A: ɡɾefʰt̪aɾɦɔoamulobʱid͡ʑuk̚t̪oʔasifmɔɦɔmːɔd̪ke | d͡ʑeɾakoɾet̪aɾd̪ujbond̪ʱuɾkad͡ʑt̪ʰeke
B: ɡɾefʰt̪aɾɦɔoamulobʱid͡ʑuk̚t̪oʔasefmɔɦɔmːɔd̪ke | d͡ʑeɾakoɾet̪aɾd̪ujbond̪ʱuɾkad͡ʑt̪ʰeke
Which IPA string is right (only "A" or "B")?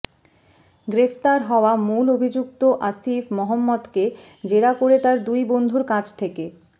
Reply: A